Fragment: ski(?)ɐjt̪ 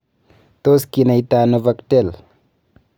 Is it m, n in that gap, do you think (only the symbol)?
n